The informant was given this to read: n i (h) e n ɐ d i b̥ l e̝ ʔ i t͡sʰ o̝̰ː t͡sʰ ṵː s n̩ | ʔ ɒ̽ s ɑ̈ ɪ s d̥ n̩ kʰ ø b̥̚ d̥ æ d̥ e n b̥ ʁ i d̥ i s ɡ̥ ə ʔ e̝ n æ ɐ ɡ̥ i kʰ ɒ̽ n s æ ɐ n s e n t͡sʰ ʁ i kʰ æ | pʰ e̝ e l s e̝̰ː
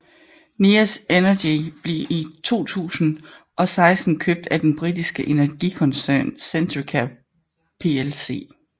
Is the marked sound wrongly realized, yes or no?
yes